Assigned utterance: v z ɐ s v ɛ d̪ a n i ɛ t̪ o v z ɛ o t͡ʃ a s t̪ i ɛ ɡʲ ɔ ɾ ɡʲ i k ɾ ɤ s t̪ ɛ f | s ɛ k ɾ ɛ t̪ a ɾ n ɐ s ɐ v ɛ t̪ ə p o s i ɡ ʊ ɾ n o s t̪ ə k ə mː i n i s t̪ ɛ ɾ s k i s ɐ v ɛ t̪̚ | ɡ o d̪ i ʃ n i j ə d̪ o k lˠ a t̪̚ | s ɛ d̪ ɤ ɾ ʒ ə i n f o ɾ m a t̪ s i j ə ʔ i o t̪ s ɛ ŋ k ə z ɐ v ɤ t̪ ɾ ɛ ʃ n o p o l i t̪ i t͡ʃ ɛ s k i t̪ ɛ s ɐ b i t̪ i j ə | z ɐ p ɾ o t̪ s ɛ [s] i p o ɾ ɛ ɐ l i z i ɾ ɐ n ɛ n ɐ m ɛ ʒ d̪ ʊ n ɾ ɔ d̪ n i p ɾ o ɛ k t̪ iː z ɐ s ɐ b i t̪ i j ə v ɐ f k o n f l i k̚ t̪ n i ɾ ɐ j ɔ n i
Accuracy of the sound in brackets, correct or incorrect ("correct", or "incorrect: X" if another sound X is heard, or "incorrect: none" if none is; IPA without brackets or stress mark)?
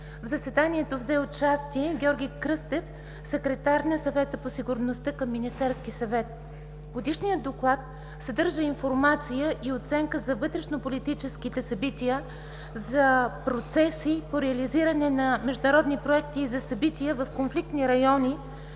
correct